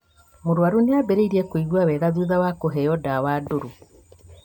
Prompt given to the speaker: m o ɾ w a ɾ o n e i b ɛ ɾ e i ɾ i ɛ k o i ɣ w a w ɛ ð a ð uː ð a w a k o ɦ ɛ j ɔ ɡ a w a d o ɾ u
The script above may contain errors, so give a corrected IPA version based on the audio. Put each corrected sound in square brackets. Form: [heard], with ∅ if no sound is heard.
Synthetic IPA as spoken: m o ɾ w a ɾ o n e [a] b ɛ ɾ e i ɾ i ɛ k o i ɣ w a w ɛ [ɣ] a ð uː ð a w a k o ɦ ɛ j ɔ [d] a w a d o ɾ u